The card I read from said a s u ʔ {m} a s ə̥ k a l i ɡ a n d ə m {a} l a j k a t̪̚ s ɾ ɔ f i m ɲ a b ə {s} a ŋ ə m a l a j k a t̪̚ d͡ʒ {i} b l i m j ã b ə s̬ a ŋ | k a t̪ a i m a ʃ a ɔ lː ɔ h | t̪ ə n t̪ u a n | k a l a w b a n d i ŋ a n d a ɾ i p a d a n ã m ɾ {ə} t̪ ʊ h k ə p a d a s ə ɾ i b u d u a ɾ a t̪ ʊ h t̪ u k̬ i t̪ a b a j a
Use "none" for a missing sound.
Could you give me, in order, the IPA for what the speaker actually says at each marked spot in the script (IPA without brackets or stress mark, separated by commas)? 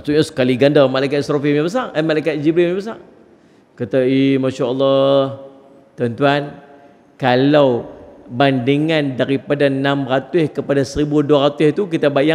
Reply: ɲ, a, s, i, a